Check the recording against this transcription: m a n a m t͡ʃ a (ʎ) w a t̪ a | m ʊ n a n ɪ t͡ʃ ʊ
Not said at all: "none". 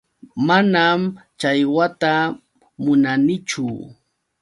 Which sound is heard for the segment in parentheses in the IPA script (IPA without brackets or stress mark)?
j